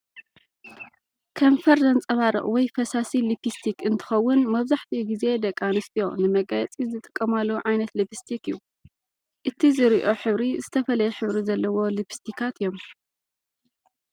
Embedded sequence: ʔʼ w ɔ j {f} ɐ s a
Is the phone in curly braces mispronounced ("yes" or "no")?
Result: no